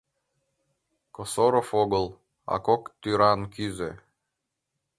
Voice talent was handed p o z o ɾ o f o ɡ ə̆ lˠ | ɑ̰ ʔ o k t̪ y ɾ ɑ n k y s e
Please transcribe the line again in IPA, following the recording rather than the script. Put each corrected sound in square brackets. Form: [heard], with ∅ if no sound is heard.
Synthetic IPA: [k] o [s] o ɾ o f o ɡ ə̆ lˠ | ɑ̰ [k] o k t̪ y ɾ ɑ n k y [z] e